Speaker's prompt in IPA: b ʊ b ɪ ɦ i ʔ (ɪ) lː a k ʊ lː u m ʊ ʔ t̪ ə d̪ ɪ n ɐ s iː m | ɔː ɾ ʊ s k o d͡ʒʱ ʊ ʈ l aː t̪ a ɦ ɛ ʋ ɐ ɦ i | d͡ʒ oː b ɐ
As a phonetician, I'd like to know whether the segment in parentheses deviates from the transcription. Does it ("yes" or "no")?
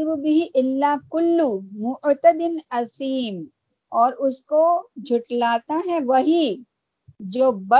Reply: no